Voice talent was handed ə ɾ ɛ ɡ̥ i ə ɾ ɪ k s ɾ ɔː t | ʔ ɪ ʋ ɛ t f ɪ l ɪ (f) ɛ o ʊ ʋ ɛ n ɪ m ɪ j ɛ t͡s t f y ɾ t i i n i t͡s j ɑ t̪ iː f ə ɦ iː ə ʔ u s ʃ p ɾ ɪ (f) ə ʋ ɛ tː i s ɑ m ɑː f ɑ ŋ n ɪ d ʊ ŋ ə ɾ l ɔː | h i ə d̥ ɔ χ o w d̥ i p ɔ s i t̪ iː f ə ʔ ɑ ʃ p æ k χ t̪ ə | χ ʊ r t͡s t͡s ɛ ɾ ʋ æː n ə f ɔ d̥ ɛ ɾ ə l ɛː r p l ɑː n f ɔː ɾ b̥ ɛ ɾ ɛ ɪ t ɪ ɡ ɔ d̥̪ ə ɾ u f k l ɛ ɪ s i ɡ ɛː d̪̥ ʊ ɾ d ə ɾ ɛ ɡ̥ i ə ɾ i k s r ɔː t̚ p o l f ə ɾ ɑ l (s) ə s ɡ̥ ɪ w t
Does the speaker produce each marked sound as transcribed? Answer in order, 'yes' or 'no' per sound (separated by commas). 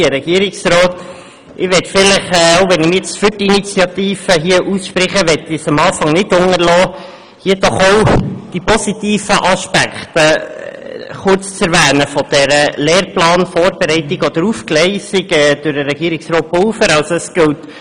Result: no, no, yes